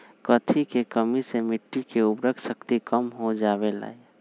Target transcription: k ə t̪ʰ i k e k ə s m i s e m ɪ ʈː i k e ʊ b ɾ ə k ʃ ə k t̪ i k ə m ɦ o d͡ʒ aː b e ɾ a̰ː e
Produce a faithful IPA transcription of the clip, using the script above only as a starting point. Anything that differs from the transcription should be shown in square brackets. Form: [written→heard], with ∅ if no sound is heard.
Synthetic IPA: k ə t̪ʰ i k e k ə [s→∅] m i s e m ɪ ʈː i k e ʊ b ɾ ə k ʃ ə k t̪ i k ə m ɦ o d͡ʒ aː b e [ɾ→l] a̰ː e